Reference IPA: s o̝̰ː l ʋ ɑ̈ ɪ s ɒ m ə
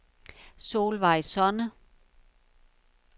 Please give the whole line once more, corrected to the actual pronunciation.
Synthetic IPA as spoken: s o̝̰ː l ʋ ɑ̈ ɪ s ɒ n ə